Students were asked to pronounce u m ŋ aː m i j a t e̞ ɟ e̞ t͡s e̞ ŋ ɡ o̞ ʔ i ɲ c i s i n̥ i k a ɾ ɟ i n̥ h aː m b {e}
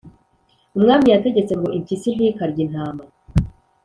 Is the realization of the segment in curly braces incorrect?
yes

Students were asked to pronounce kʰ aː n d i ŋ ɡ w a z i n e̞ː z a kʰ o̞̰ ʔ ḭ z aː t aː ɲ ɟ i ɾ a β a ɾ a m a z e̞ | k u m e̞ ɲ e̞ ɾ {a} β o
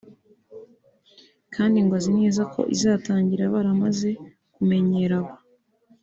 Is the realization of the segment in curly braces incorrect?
no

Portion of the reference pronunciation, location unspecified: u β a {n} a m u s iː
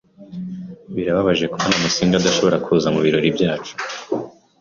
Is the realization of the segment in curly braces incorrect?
no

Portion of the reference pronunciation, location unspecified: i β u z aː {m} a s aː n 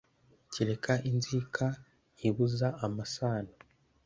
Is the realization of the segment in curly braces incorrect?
no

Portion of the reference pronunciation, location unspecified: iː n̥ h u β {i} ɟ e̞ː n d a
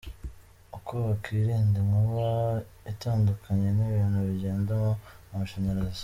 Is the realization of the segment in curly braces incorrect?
no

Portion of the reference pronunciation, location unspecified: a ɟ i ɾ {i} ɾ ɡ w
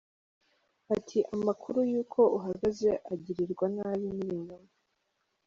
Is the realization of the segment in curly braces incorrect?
no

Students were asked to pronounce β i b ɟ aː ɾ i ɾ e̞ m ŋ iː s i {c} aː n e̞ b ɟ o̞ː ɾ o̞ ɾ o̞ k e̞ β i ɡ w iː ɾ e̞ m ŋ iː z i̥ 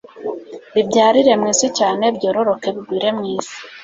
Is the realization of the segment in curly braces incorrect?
no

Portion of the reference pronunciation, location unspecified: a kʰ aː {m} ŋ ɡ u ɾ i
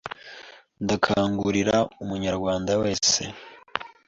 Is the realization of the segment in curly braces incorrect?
yes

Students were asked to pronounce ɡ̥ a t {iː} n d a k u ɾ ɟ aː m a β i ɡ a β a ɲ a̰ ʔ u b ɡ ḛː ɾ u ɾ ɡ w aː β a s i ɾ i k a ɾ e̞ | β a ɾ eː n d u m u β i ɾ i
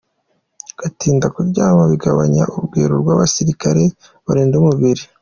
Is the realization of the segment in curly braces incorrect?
no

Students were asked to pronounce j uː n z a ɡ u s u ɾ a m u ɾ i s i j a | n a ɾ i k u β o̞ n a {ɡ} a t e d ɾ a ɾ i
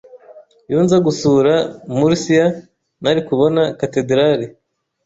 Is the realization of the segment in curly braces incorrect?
yes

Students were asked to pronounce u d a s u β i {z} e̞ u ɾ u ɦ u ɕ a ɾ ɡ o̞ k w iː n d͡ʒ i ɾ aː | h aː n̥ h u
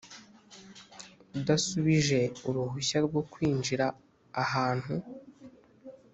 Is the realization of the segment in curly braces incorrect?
yes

